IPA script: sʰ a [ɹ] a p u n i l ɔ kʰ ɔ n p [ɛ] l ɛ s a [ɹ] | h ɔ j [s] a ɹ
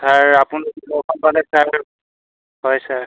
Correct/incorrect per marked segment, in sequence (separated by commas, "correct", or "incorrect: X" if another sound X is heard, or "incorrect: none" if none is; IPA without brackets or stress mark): correct, incorrect: a, correct, correct